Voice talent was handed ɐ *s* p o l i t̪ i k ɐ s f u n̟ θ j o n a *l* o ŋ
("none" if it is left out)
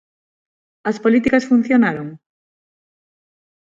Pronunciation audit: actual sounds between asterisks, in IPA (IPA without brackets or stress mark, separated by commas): s, ɾ